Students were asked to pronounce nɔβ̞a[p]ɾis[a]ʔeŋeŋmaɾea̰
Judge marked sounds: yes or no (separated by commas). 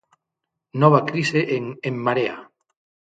no, no